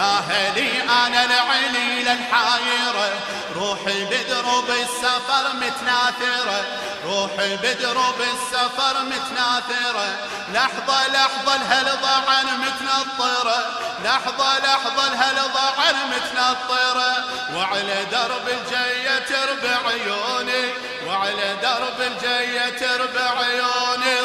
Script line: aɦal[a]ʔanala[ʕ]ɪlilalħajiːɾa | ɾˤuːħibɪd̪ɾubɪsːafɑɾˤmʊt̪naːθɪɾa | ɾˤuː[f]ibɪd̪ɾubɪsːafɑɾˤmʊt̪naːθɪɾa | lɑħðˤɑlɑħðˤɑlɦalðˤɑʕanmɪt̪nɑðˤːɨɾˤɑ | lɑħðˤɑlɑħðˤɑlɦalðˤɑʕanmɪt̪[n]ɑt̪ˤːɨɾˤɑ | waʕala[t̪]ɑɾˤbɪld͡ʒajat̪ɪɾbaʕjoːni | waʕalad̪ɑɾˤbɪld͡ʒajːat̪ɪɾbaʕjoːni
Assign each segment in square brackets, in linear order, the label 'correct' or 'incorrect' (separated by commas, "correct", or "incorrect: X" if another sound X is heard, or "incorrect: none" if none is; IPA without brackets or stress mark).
incorrect: i, correct, incorrect: ħ, correct, incorrect: d̪